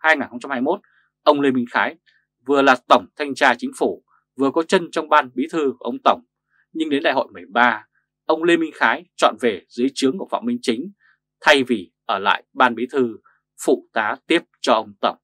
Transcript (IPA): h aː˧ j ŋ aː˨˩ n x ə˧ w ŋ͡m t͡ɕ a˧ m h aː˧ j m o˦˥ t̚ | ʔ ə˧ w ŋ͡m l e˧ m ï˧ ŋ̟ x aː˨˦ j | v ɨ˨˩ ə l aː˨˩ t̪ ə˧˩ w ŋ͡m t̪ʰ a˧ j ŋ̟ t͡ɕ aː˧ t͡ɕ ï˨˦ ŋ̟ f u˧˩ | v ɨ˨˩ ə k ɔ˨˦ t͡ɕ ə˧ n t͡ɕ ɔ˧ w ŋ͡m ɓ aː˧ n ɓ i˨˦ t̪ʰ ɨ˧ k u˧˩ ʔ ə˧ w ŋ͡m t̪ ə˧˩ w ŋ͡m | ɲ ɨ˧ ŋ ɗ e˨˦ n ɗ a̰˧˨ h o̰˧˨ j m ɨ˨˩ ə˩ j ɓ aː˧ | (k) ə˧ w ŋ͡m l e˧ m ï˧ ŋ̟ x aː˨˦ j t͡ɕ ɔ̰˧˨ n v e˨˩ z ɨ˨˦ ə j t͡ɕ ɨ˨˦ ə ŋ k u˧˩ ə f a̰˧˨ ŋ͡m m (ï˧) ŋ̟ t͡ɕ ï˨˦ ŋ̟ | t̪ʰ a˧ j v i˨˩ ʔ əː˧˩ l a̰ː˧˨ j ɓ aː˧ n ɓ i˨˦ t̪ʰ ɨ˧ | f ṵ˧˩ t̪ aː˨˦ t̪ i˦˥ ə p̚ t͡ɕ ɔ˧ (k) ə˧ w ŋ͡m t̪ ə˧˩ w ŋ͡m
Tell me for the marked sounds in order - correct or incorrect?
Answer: incorrect, correct, incorrect

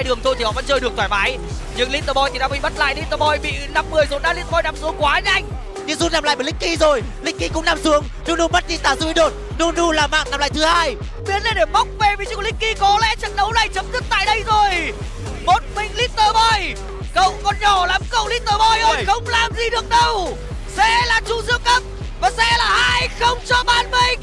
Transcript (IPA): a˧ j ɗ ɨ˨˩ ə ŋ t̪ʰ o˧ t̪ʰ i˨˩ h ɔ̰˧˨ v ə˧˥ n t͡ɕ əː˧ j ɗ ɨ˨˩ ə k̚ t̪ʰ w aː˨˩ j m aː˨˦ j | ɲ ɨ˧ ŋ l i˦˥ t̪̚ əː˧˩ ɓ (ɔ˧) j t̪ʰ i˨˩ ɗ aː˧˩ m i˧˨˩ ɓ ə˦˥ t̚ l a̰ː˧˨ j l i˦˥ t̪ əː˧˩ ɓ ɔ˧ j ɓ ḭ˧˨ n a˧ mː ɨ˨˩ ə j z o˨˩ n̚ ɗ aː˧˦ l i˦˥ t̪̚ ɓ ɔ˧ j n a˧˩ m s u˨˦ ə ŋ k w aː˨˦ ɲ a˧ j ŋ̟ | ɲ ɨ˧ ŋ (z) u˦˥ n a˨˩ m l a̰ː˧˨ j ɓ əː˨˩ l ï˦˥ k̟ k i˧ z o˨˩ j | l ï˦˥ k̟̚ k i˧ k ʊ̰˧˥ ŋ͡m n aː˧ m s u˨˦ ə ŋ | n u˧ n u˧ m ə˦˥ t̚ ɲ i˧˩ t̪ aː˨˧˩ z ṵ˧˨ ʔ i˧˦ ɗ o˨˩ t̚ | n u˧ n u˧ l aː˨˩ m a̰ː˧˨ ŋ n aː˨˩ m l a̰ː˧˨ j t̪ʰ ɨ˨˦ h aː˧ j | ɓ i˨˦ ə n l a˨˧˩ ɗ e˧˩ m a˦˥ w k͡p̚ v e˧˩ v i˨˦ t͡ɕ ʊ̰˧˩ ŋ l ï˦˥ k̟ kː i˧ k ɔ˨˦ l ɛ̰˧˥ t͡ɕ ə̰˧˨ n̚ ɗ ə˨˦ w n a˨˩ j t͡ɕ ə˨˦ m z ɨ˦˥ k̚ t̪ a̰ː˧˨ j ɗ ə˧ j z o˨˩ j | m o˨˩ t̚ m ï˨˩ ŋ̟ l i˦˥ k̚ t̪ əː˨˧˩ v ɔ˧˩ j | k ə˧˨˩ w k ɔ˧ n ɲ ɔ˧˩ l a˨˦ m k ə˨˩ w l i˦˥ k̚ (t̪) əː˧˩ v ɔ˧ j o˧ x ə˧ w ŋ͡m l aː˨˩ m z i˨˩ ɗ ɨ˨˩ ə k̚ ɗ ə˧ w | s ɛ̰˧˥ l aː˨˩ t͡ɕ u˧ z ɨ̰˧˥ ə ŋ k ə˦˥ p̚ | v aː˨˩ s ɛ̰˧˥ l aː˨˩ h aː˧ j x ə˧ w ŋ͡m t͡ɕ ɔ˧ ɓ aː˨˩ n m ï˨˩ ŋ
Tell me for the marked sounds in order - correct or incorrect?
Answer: correct, correct, correct

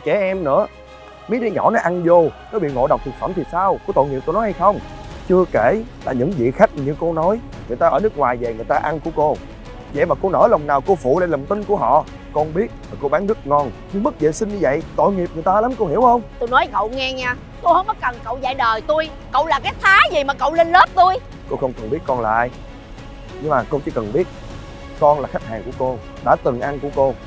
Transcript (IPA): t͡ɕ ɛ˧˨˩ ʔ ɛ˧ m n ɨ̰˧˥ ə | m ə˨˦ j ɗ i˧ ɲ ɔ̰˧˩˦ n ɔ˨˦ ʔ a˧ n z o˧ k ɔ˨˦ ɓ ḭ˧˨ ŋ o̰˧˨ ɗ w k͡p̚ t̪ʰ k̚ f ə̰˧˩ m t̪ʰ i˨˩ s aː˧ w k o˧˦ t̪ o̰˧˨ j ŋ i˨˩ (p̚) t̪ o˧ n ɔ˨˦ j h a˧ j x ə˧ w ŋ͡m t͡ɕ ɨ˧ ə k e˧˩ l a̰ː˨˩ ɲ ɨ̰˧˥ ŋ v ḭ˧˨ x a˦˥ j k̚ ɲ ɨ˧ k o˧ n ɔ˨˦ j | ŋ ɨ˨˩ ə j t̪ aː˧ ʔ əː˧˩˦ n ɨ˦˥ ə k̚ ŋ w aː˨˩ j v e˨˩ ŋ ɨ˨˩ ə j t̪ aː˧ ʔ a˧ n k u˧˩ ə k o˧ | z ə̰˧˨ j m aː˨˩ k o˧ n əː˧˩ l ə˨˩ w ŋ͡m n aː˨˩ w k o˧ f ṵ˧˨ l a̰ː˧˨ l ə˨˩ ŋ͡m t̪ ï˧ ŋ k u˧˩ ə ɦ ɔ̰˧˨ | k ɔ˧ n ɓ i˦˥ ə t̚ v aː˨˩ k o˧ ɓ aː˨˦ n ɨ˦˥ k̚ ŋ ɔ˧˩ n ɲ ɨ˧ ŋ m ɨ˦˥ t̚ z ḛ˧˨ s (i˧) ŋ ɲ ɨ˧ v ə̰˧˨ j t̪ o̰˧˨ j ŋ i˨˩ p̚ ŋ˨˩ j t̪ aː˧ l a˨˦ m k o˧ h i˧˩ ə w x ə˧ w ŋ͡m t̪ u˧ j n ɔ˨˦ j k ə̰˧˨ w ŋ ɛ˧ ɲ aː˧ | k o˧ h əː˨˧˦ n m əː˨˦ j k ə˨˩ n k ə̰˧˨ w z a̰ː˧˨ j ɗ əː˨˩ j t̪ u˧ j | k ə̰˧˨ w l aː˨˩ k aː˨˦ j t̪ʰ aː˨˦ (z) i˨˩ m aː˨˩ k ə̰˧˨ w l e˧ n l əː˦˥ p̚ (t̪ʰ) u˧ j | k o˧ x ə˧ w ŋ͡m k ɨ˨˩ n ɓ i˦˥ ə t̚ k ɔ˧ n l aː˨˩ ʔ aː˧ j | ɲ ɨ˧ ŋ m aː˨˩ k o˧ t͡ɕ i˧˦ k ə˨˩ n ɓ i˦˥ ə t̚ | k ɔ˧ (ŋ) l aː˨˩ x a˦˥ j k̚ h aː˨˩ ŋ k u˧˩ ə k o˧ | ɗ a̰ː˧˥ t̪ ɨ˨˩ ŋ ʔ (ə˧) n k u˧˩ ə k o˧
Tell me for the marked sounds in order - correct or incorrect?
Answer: correct, correct, correct, incorrect, incorrect, incorrect

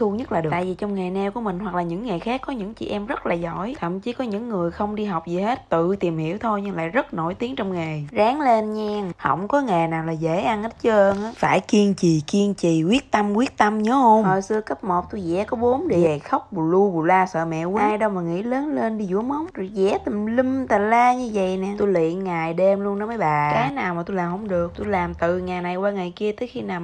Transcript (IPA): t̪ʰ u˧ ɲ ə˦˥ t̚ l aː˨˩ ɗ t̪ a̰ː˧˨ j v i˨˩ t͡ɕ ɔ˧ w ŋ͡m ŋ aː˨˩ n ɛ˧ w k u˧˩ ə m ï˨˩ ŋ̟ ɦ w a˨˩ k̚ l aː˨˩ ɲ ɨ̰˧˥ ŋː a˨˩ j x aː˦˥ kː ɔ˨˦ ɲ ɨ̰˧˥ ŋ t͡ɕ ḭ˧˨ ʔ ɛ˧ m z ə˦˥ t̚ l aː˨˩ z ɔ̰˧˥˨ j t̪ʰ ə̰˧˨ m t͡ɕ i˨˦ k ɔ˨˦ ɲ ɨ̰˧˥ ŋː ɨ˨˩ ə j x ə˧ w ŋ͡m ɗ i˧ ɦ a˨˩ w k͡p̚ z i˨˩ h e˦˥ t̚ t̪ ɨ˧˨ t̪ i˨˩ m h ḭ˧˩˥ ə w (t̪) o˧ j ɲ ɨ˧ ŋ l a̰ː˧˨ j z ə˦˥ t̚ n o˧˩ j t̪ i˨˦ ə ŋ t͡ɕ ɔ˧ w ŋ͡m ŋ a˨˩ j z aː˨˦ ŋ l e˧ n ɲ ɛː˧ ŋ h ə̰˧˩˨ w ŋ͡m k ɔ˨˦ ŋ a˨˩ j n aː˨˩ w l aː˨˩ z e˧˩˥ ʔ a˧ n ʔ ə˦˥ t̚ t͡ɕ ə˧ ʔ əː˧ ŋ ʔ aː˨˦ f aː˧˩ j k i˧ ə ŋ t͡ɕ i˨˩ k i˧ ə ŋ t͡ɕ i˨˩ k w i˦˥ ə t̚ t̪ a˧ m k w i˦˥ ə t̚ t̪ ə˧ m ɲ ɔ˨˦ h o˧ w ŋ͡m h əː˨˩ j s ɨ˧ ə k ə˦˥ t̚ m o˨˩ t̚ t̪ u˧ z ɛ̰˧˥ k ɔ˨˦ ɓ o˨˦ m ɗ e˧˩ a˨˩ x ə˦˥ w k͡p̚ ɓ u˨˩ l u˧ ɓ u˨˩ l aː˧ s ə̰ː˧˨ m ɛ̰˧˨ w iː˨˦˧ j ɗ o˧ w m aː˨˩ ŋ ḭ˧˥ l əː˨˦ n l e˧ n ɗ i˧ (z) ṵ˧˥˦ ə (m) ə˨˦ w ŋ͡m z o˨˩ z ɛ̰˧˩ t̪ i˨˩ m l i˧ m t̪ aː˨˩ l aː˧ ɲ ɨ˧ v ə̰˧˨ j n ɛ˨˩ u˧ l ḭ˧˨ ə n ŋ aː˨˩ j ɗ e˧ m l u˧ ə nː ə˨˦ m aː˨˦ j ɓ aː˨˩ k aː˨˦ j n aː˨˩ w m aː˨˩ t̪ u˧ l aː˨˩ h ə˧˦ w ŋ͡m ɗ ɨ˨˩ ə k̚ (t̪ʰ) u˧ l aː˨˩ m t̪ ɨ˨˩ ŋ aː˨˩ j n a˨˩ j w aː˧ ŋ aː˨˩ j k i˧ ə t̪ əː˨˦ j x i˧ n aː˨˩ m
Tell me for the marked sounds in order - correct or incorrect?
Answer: incorrect, correct, correct, incorrect

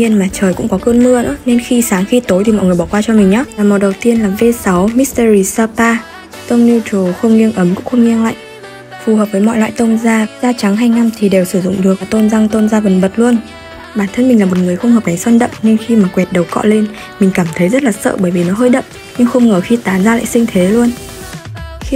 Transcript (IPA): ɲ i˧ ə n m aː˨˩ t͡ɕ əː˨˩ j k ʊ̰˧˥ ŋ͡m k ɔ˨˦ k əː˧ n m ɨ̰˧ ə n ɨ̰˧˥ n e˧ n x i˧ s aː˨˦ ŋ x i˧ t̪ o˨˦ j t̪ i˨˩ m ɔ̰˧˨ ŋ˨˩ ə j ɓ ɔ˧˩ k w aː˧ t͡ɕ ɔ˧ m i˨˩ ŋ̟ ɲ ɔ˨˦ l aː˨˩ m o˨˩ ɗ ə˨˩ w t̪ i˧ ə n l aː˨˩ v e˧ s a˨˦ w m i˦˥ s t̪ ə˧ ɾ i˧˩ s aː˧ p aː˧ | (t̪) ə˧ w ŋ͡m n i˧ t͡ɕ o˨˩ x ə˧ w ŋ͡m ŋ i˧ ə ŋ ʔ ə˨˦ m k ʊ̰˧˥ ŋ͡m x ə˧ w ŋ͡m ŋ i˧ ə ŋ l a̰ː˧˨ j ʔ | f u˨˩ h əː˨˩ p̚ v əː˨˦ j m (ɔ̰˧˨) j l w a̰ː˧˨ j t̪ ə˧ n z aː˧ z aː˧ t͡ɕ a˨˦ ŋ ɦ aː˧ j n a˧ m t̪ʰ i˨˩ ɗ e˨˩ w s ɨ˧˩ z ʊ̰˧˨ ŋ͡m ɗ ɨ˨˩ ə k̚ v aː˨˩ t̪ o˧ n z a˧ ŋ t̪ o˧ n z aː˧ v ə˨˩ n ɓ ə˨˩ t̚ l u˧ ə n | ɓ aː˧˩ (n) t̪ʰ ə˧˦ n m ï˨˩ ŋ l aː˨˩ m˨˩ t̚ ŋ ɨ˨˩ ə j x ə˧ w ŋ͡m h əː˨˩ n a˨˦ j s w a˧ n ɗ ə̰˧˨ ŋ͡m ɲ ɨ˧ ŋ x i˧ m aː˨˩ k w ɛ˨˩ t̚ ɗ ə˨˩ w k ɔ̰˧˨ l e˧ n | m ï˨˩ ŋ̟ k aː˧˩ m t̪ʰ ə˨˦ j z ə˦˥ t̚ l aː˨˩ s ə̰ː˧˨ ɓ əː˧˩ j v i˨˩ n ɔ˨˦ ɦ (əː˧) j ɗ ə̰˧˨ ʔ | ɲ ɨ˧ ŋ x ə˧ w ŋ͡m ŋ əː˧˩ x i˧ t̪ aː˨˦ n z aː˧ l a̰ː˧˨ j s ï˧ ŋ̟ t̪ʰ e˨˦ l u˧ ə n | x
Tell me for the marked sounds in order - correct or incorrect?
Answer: correct, correct, correct, correct

